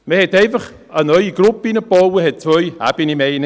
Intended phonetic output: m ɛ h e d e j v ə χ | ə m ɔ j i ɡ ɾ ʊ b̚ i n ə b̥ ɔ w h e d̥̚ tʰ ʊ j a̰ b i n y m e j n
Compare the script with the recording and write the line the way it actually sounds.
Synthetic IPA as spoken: m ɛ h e d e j v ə χ | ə n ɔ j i ɡ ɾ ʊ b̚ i n ə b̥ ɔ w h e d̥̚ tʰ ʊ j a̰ b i n i m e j n